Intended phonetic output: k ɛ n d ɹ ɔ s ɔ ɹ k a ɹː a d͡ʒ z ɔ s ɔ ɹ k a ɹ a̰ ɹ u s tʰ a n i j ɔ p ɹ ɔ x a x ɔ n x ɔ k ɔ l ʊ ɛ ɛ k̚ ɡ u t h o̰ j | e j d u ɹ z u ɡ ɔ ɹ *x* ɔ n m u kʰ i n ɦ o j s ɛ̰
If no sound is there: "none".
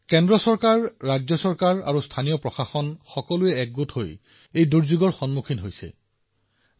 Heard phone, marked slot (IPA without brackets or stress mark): x